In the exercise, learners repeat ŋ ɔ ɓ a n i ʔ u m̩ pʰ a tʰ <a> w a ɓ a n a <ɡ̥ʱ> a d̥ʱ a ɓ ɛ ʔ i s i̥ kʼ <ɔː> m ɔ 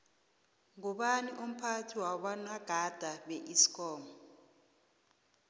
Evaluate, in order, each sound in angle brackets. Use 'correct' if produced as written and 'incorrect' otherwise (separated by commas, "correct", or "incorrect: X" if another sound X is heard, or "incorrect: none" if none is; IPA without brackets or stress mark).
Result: incorrect: i, correct, correct